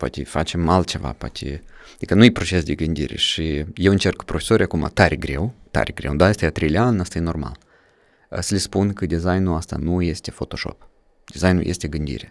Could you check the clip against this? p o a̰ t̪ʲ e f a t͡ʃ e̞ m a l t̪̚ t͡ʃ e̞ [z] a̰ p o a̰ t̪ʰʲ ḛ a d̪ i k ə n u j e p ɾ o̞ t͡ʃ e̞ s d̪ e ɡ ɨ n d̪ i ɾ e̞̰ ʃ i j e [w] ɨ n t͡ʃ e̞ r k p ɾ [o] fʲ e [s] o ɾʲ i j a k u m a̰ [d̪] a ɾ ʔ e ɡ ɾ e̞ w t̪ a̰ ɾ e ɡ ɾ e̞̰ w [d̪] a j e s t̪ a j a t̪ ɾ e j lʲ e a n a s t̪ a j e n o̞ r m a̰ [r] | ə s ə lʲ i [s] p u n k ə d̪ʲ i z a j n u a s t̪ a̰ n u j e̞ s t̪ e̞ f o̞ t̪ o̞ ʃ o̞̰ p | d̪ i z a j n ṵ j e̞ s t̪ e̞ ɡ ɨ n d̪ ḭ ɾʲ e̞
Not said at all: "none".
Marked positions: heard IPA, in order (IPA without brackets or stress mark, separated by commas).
v, w, o, s, t̪, d̪, l, s